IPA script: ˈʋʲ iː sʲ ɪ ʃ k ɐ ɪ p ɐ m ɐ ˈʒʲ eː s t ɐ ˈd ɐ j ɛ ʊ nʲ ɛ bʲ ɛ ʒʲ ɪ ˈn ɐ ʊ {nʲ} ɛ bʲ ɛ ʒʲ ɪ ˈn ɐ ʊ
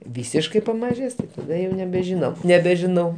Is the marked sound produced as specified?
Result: yes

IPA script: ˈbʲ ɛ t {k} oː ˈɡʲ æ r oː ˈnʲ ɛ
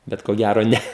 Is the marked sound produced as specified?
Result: yes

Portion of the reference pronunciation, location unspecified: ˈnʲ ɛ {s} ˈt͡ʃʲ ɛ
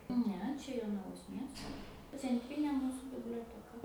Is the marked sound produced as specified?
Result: no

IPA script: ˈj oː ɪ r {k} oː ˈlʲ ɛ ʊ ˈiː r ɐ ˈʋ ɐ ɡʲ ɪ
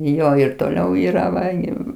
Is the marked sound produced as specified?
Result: no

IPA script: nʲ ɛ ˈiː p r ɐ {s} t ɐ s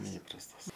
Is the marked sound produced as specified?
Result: yes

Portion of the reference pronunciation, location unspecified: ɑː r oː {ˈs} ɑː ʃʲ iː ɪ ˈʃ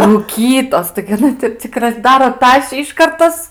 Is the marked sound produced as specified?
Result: no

